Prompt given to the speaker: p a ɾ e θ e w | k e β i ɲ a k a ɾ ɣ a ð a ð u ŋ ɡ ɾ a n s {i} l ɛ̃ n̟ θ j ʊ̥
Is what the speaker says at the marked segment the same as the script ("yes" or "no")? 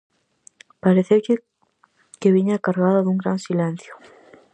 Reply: yes